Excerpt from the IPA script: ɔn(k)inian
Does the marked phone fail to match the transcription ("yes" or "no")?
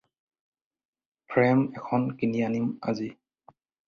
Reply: no